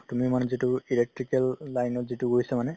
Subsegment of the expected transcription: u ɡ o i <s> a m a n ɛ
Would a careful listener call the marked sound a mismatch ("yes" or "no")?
no